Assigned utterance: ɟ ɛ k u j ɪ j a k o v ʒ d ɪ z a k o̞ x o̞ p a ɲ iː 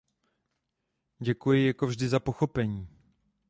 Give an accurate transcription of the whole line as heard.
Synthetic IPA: ɟ ɛ k u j ɪ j a k o v ʒ d ɪ z a p o̞ x o̞ p ɛ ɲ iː